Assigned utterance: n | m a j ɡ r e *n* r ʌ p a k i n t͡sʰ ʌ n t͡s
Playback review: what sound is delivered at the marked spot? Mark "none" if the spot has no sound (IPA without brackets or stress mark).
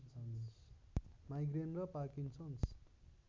n